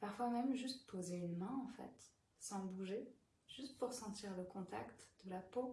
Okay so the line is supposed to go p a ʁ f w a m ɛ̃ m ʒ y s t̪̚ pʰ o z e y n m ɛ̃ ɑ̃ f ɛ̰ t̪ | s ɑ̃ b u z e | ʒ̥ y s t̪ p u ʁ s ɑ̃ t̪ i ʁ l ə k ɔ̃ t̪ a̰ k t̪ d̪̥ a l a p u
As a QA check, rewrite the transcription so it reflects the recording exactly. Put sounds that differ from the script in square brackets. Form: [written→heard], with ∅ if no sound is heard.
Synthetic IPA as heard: p a ʁ f w a m [ɛ̃→ɛ] m ʒ y s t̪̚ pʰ o z e y n m ɛ̃ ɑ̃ f ɛ̰ t̪ | s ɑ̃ b u [z→ʒ] e | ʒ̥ y s t̪ p u ʁ s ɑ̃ t̪ i ʁ l ə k ɔ̃ t̪ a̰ k t̪ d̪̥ [a→ə] l a p [u→o]